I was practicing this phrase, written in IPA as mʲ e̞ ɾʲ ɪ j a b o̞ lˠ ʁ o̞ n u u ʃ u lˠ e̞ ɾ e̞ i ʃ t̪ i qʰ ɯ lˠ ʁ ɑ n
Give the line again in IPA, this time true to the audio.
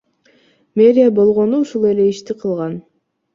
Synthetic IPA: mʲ e̞ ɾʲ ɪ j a b o̞ lˠ ʁ o̞ n u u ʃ u lˠ e̞ l e̞ i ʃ t̪ i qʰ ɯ lˠ ʁ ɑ n